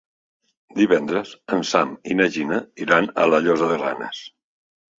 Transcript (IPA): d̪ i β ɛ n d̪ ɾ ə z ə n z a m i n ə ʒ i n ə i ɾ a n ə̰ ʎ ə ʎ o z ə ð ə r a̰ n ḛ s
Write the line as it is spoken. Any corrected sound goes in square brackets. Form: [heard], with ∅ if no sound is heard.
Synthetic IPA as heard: d̪ i β ɛ n d̪ ɾ ə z ə n [s] a m i n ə ʒ i n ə i ɾ a n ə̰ [l] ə ʎ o z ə ð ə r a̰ n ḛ s